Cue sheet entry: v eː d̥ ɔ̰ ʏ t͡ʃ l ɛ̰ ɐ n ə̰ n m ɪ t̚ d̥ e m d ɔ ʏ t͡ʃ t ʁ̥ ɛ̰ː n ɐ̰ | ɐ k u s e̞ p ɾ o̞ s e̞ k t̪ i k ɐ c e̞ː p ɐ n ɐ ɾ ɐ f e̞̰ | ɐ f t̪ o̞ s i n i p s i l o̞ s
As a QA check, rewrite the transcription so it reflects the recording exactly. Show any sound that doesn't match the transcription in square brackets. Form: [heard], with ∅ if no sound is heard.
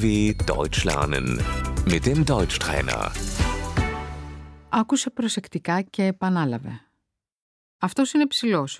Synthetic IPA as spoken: v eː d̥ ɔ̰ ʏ t͡ʃ l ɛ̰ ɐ n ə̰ n m ɪ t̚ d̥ e m d ɔ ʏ t͡ʃ t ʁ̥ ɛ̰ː n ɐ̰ | ɐ k u s e̞ p ɾ o̞ s e̞ k t̪ i k ɐ c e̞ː p ɐ n ɐ [l] ɐ [v] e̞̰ | ɐ f t̪ o̞ s i n [e] p s i l o̞ s